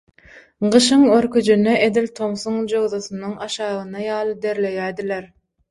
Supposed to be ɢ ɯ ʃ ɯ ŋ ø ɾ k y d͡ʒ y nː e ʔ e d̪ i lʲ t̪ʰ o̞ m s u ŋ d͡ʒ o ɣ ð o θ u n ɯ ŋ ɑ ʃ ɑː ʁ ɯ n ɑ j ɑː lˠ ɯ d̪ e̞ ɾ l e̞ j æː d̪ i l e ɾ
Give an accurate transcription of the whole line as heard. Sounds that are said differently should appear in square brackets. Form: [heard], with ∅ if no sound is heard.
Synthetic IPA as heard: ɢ ɯ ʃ ɯ ŋ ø ɾ k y d͡ʒ y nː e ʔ e d̪ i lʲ t̪ʰ o̞ m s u ŋ d͡ʒ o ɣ ð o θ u n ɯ ŋ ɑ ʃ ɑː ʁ ɯ n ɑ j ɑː lˠ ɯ d̪ e̞ ɾ l e̞ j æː d̪ i l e ɾ